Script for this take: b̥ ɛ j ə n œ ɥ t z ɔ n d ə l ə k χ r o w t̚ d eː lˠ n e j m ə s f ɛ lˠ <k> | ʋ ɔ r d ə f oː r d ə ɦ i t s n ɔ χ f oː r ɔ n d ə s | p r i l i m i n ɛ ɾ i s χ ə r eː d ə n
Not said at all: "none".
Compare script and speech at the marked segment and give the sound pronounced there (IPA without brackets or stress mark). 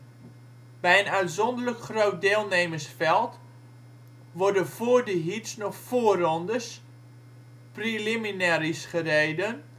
t